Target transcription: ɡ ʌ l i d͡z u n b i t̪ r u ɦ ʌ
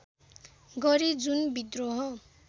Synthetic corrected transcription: ɡ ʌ ɾ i d͡z u n b i d̪ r o ɦ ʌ